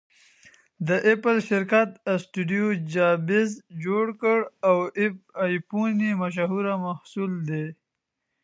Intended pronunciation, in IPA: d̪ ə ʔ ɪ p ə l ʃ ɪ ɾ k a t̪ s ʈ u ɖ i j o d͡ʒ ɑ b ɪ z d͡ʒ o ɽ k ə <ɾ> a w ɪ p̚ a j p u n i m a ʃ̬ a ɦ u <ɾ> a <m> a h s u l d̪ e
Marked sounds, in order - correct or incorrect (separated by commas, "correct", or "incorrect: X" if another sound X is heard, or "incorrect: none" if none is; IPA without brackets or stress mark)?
incorrect: ɽ, correct, correct